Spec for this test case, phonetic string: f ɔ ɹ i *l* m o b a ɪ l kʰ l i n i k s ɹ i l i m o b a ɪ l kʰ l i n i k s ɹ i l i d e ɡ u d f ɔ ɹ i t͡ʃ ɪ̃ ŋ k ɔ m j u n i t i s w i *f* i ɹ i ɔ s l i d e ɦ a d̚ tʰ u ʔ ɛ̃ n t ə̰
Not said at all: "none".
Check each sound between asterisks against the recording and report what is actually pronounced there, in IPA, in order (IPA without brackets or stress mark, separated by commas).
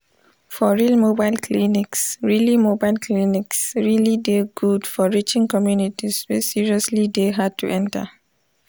l, s